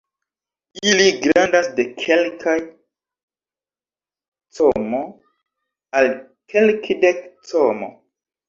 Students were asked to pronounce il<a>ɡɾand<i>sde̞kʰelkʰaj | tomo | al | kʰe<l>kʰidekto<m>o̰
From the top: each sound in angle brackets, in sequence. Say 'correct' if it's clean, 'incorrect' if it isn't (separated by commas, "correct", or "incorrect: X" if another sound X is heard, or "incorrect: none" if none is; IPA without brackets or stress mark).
incorrect: i, incorrect: a, correct, correct